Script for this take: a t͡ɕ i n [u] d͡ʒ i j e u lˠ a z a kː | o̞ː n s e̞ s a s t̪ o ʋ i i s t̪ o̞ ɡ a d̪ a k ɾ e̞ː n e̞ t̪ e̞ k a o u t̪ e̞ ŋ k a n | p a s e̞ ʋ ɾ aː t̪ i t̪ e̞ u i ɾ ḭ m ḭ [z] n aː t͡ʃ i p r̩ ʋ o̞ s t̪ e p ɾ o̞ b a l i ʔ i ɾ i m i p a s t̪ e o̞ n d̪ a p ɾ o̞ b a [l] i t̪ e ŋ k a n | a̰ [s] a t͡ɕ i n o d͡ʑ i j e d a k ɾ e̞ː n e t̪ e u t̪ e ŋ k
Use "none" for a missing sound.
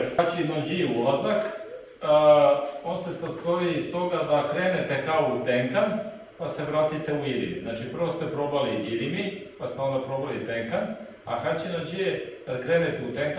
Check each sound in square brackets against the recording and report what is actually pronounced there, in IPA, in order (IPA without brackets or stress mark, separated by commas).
o, z, l, x